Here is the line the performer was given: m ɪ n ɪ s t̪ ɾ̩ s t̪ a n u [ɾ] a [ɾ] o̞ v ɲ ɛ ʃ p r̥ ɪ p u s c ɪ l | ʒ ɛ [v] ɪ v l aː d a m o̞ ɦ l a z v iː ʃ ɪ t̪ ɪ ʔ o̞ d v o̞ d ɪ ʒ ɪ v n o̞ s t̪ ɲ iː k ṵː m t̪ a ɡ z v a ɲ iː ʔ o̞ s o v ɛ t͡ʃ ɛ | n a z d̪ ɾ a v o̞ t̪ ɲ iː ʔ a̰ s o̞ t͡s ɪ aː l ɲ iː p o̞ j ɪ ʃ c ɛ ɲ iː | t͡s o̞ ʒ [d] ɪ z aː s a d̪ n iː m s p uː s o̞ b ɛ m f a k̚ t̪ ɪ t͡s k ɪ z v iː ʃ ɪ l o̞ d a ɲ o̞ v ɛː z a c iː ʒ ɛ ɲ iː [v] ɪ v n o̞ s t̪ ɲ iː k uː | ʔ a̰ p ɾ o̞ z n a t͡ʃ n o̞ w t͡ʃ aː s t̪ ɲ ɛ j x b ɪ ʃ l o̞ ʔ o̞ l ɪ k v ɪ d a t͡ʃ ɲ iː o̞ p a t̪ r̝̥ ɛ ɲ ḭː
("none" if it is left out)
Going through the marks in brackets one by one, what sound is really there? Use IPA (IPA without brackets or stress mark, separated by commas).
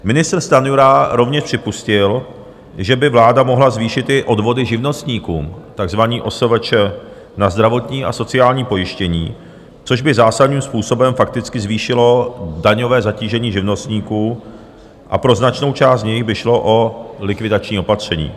ɾ, ɾ, b, b, ʒ